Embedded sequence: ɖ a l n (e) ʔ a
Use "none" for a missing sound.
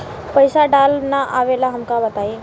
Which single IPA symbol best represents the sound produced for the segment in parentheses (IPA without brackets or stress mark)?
a